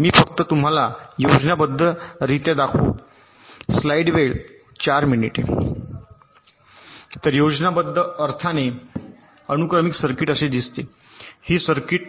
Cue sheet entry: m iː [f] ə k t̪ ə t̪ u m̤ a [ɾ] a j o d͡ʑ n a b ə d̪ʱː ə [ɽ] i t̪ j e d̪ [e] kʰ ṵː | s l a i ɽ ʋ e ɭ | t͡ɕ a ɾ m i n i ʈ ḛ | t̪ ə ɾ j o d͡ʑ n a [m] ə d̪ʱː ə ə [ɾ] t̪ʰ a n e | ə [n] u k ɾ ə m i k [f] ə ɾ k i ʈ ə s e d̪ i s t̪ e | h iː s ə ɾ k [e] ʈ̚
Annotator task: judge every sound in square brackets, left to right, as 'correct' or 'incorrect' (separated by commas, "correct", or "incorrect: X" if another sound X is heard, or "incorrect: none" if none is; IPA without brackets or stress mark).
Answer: correct, incorrect: l, incorrect: ɾ, incorrect: a, incorrect: b, correct, correct, incorrect: s, incorrect: i